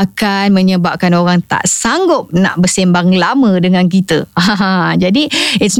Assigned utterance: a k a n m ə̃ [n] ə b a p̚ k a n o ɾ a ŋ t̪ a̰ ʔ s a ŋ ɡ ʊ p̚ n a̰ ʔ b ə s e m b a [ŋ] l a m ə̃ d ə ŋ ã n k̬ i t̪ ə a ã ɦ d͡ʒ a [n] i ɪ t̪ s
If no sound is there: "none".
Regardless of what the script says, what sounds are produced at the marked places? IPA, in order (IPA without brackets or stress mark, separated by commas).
ɲ, ŋ, d